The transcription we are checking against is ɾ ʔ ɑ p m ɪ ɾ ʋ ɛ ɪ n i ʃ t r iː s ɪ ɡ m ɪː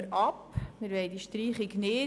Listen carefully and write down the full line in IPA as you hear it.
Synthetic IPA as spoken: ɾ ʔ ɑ p m ɪ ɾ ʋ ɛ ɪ d i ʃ t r iː χ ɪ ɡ n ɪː